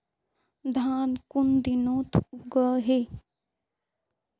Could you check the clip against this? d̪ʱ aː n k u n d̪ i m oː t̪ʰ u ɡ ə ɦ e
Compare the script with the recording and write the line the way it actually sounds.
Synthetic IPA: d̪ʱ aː n k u n d̪ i n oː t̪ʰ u ɡ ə ɦ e